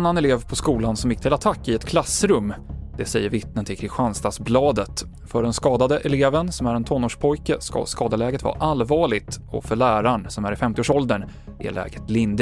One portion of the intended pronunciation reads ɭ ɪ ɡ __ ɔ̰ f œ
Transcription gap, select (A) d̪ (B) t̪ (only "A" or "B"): B